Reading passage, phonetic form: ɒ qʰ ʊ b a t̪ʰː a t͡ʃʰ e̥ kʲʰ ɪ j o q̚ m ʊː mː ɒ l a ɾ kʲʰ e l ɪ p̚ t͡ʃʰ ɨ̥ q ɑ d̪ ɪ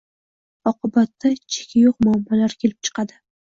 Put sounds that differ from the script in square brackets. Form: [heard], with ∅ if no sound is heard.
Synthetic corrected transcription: ɒ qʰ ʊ b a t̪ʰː a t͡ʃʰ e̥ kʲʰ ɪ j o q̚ m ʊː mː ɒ l a ɾ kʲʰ e l ɪ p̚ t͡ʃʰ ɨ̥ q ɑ d̪ ɪ